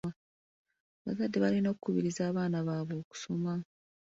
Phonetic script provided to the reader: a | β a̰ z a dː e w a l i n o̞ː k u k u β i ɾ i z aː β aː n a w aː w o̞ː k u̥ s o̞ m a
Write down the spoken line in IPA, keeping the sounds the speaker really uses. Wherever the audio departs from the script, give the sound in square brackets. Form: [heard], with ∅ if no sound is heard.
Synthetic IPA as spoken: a | β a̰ z a dː e [β] a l i n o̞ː k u k u β i ɾ i z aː β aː n a [β] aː [β] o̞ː k u̥ s o̞ m a